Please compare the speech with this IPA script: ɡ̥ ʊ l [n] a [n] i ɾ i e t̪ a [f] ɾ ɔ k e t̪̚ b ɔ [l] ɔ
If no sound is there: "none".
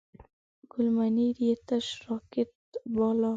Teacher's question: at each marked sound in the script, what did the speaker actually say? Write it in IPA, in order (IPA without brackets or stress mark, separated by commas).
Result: m, n, ʃ, l